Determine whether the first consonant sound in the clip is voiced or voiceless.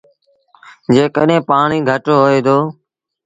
voiced